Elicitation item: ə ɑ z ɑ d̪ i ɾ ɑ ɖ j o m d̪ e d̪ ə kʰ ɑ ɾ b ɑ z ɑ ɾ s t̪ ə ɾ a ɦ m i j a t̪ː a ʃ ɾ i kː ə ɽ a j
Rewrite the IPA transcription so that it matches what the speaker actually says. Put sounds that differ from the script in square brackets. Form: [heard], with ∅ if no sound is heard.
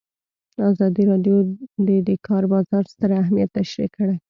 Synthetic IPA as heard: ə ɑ z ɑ d̪ i ɾ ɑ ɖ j o [∅] d̪ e d̪ ə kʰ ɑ ɾ b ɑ z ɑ ɾ s t̪ ə ɾ a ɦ m i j a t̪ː a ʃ ɾ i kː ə ɽ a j